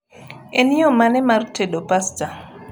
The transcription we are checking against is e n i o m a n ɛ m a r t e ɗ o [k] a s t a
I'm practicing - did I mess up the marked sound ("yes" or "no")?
yes